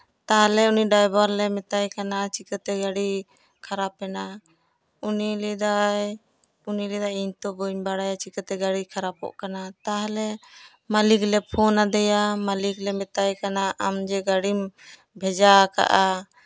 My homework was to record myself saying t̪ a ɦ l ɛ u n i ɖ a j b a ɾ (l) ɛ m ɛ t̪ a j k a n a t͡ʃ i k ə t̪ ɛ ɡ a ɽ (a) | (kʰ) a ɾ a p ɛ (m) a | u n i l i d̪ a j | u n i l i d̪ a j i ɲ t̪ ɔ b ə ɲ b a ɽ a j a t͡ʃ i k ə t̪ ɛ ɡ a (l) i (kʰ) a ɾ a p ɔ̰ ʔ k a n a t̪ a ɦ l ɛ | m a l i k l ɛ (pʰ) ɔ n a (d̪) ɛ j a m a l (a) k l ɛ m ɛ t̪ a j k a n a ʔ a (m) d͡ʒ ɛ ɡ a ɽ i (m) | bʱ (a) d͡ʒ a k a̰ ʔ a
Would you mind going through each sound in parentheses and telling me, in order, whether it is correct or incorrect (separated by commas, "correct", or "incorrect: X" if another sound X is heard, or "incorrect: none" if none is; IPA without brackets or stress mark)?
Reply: correct, incorrect: i, correct, incorrect: n, incorrect: ɽ, correct, correct, correct, incorrect: i, correct, correct, incorrect: ɛ